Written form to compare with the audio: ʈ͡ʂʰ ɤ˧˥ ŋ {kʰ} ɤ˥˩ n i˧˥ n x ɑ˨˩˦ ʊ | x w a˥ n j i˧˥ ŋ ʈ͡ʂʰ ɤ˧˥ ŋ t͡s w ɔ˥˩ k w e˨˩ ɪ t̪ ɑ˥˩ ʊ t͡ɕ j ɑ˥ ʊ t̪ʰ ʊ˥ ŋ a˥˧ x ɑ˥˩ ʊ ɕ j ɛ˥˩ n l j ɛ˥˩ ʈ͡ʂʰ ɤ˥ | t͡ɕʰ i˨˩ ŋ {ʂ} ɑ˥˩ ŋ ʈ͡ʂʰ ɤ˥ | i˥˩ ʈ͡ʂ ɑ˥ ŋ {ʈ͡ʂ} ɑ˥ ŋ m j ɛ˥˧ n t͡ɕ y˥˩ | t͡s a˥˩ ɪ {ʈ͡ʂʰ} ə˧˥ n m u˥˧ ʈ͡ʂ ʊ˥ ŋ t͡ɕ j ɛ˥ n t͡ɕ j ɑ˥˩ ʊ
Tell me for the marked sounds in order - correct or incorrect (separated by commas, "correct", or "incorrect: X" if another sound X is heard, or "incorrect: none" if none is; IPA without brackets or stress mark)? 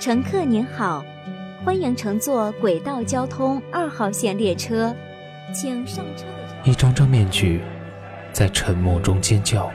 correct, correct, correct, correct